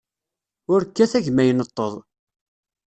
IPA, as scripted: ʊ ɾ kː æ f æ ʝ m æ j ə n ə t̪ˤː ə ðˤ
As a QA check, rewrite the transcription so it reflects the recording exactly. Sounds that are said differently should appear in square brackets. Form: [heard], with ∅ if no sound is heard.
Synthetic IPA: ʊ ɾ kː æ [θ] æ ʝ m æ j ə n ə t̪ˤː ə ðˤ